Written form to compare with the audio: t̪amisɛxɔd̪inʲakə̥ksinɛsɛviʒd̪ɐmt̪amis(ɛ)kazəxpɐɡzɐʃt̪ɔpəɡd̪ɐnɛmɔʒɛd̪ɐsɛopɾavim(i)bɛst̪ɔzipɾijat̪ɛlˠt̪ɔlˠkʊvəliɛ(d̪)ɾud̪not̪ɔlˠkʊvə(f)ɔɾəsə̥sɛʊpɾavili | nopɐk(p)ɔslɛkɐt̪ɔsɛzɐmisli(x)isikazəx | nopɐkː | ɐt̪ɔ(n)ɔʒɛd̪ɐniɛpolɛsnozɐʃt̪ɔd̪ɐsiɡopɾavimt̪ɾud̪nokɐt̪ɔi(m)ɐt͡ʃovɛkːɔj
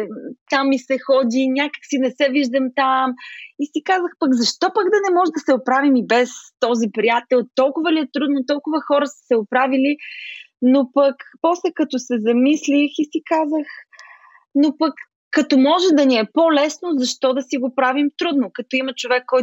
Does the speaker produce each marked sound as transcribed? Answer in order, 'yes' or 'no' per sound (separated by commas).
no, yes, no, no, yes, yes, no, yes